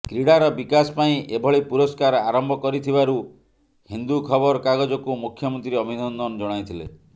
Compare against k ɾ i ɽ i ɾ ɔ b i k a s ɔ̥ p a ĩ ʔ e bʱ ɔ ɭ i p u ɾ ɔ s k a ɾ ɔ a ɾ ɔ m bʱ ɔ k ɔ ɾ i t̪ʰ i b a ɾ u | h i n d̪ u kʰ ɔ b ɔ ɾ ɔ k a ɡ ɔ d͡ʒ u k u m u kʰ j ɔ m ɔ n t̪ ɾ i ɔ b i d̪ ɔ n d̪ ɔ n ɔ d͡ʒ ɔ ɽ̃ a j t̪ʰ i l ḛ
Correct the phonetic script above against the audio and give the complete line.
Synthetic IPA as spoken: k ɾ i ɽ a ɾ ɔ b i k a s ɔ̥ p a ĩ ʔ e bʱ ɔ ɭ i p u ɾ ɔ s k a ɾ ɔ a ɾ ɔ m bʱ ɔ k ɔ ɾ i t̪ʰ i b a ɾ u | h i n d̪ u kʰ ɔ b ɔ ɾ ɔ k a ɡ ɔ d͡ʒ ɔ k u m u kʰ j ɔ m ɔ n t̪ ɾ i ɔ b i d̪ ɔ n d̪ ɔ n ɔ d͡ʒ ɔ ɽ̃ a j t̪ʰ i l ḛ